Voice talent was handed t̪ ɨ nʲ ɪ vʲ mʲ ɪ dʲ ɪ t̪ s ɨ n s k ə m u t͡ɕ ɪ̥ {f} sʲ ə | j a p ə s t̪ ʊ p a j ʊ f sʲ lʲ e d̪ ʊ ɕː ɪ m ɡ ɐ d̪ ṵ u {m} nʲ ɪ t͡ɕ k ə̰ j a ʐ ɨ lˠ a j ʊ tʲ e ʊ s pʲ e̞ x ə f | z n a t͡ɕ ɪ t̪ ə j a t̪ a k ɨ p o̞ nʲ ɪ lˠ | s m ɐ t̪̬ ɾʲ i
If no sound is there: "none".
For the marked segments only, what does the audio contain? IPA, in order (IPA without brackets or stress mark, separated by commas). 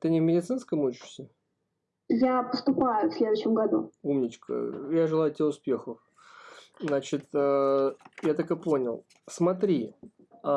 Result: ʂ, m